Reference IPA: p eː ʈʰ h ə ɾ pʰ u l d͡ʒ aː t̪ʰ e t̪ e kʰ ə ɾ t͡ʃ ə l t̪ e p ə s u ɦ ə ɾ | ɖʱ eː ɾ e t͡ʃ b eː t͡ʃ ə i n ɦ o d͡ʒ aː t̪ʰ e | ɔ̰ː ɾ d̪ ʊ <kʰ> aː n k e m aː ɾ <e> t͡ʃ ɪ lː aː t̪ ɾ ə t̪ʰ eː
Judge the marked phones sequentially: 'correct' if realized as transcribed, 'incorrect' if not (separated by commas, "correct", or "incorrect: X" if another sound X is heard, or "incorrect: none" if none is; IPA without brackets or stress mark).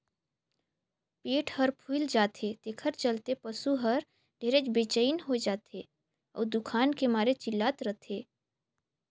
correct, correct